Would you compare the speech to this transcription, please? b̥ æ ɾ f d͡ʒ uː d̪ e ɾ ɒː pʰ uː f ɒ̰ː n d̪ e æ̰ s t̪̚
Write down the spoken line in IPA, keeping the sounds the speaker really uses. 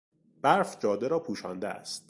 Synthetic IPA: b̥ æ ɾ f d͡ʒ ɒː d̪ e ɾ ɒː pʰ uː ʃ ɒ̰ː n d̪ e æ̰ s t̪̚